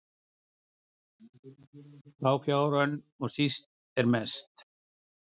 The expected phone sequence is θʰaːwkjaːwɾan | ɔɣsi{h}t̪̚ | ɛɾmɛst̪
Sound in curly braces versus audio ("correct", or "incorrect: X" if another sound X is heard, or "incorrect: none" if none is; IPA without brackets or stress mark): incorrect: s